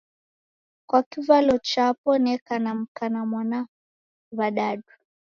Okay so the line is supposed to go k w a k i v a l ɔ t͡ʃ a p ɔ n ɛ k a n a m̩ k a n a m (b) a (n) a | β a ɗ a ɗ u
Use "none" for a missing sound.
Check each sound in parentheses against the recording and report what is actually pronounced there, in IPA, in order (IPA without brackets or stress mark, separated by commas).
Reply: w, n